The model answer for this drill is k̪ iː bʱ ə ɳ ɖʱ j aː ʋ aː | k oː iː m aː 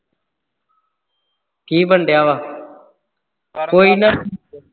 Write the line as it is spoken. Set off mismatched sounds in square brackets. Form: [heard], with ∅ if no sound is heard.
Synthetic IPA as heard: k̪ iː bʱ ə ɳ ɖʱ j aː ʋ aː | k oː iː [n] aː